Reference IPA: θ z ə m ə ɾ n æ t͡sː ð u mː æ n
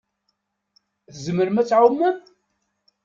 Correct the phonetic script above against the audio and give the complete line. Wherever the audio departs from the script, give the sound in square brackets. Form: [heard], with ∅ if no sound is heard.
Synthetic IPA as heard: θ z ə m ə ɾ [m] æ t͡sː [ʕ] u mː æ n